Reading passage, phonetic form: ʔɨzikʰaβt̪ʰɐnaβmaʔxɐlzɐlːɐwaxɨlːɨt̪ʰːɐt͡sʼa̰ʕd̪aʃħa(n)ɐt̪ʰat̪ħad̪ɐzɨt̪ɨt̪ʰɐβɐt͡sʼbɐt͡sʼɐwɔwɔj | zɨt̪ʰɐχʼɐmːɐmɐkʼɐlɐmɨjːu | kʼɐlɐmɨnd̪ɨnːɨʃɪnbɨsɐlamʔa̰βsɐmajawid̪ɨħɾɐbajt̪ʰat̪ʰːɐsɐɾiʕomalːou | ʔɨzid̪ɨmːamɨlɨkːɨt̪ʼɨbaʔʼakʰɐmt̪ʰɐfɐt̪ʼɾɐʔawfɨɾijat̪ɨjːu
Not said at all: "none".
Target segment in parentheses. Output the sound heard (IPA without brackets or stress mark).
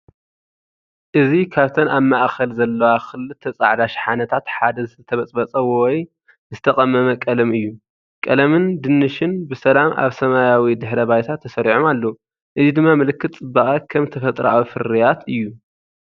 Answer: n